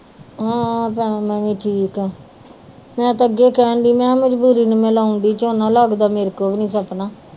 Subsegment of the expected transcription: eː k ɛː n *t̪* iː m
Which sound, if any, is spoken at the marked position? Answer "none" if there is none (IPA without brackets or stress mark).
d̪